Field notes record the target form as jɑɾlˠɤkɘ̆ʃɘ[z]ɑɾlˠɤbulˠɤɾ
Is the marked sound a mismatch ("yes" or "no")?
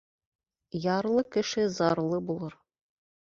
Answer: no